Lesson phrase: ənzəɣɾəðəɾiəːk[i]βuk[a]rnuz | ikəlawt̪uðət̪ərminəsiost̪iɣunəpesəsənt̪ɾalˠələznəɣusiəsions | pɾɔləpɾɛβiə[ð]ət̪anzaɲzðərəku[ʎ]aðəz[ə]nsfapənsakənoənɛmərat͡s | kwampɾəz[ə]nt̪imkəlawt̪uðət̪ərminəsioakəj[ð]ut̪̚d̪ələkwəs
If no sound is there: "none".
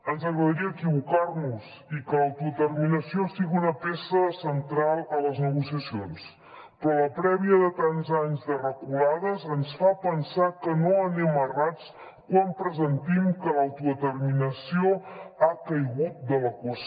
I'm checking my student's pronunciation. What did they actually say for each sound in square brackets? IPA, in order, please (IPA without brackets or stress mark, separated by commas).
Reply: i, a, ð, l, ə, ə, ɣ